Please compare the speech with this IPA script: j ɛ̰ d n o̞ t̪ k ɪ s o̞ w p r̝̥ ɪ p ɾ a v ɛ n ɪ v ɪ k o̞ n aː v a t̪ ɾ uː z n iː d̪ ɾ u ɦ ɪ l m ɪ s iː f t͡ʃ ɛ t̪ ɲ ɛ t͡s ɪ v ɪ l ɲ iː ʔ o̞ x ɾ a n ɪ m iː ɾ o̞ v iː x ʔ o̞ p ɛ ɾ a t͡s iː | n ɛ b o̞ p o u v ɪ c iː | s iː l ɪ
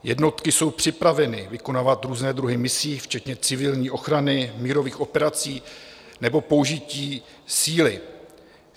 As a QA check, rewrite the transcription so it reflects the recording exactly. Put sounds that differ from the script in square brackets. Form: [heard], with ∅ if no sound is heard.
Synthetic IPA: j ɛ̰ d n o̞ t̪ k ɪ s o̞ w p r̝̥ ɪ p ɾ a v ɛ n ɪ v ɪ k o̞ n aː v a t̪ ɾ uː z n [ɛː] d̪ ɾ u ɦ ɪ [∅] m ɪ s iː f t͡ʃ ɛ t̪ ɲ ɛ t͡s ɪ v ɪ l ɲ iː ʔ o̞ x ɾ a n ɪ m iː ɾ o̞ v iː x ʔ o̞ p ɛ ɾ a t͡s iː | n ɛ b o̞ p o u [ʒ] ɪ c iː | s iː l ɪ